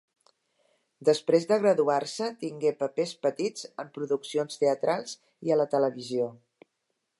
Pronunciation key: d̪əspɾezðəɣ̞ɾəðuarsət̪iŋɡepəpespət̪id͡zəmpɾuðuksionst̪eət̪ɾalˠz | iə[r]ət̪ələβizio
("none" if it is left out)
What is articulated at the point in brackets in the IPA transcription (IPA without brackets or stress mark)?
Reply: l